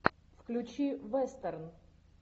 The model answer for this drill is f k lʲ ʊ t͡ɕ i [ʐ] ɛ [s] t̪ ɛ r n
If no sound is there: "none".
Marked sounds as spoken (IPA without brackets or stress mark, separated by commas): v, s